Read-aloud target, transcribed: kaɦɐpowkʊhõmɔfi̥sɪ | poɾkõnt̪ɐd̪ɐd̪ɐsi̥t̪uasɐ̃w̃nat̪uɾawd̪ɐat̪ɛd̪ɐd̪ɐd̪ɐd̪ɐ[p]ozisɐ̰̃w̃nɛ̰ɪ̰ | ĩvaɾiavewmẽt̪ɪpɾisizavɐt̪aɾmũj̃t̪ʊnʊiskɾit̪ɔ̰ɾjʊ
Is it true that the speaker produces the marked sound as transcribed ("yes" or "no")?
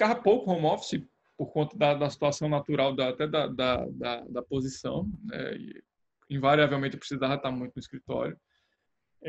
yes